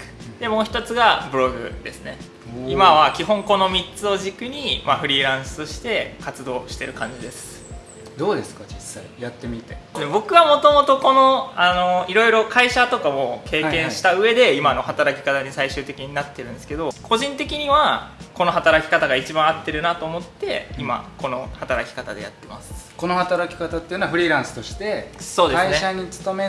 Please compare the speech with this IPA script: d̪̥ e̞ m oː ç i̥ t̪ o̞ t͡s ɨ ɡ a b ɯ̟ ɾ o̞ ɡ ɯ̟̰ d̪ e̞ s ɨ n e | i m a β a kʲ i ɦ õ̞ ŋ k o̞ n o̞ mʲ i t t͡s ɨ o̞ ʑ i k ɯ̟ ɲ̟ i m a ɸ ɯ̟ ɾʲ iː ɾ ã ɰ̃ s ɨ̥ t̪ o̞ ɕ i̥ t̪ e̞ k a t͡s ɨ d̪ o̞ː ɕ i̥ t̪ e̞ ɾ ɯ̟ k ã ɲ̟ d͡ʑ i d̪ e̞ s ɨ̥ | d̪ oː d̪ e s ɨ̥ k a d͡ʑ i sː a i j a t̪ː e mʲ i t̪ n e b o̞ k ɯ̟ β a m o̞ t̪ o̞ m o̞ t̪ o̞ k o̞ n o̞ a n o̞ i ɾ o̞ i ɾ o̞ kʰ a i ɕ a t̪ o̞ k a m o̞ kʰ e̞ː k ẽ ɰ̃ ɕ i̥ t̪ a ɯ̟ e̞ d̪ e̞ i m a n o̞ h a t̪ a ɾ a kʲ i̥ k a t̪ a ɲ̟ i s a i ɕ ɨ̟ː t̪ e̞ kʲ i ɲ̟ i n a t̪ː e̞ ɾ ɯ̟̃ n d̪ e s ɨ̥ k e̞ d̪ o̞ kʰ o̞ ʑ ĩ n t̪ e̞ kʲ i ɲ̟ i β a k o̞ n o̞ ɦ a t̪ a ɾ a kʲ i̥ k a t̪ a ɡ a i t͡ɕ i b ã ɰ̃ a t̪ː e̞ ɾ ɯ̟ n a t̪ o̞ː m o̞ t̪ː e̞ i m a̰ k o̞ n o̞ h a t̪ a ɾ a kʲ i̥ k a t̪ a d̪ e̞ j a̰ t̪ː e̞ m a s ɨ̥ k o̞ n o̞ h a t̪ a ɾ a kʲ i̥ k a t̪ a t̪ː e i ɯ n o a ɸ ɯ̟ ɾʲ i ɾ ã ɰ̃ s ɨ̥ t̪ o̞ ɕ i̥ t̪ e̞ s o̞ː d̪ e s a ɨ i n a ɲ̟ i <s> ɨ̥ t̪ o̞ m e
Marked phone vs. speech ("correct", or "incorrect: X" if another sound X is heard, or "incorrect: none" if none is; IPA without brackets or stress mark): incorrect: t͡s